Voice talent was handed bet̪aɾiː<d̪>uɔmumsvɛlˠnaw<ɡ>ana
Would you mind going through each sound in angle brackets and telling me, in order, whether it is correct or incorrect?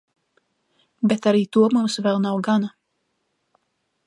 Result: incorrect: t̪, correct

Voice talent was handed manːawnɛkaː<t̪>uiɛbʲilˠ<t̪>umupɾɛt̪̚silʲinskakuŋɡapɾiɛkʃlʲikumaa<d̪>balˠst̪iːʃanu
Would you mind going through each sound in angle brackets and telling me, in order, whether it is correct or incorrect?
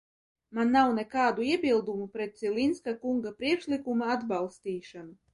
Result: incorrect: d̪, incorrect: d̪, correct

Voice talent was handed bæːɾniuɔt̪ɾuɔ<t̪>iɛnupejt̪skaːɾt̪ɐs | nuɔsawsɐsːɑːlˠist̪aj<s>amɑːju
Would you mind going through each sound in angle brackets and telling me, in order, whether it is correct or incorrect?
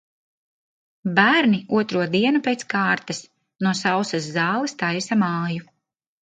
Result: incorrect: d̪, correct

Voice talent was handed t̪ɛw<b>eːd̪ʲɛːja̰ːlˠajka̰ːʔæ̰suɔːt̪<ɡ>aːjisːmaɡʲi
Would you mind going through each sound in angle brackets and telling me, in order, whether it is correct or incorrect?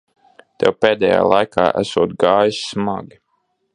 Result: incorrect: p, correct

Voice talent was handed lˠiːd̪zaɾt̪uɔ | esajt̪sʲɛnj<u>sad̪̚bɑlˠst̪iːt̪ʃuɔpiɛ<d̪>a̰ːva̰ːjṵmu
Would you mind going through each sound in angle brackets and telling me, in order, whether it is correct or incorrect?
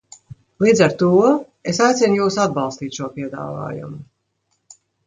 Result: incorrect: uː, correct

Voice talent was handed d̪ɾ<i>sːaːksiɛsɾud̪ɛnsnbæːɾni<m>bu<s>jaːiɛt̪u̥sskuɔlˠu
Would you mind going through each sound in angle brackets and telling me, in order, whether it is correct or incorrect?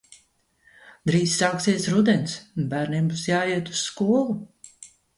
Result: incorrect: iː, correct, correct

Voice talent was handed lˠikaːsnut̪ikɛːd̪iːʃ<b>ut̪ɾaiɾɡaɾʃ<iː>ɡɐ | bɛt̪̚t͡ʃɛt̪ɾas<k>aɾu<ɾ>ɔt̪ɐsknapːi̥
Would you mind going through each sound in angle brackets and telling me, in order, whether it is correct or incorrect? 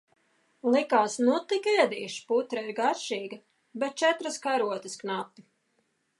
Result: incorrect: p, correct, correct, incorrect: none

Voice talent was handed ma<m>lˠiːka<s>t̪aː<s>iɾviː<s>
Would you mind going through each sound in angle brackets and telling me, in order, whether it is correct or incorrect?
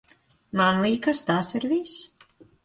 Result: incorrect: n, correct, correct, correct

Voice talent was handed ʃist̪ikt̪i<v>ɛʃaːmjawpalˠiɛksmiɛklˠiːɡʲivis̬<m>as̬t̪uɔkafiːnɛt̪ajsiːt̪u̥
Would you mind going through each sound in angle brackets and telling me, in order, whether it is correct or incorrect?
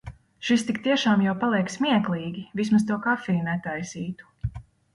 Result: incorrect: none, correct

